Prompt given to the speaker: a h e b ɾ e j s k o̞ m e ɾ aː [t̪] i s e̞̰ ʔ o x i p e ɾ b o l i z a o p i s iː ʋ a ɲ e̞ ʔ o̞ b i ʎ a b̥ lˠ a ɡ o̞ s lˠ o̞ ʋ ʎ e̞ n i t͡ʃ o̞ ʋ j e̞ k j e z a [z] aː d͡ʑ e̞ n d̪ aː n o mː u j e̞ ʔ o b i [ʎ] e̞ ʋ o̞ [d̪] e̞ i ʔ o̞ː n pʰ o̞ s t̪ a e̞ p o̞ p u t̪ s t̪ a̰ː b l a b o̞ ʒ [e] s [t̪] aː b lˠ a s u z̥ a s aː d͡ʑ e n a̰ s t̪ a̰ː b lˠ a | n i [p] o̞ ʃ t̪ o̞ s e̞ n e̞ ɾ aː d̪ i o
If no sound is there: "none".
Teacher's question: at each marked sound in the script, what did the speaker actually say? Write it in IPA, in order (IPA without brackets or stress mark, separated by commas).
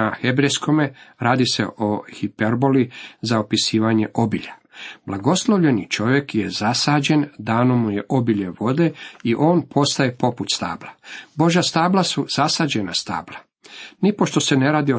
d̪, s, ʎ, d̪, a, t̪, p